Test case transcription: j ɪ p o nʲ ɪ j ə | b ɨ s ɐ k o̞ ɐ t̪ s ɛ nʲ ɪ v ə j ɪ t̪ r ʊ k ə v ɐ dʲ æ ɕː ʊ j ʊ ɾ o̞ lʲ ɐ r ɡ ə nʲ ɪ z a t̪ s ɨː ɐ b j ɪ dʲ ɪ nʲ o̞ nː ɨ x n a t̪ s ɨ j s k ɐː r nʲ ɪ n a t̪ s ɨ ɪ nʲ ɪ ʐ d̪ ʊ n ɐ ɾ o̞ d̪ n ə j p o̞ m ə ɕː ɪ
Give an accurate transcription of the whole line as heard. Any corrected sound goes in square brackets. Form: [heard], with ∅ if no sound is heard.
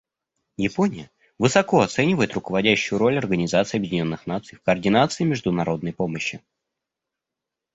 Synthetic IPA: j ɪ p o nʲ ɪ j ə | [v] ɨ s ɐ k o̞ ɐ t̪ s ɛ nʲ ɪ v ə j ɪ t̪ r ʊ k ə v ɐ dʲ æ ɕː ʊ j ʊ ɾ o̞ lʲ ɐ r ɡ ə nʲ ɪ z a t̪ s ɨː ɐ b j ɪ dʲ ɪ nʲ o̞ nː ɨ x n a t̪ s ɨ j [f] k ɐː r [dʲ] ɪ n a t̪ s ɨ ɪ [mʲ] ɪ ʐ d̪ ʊ n ɐ ɾ o̞ d̪ n ə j p o̞ m ə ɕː ɪ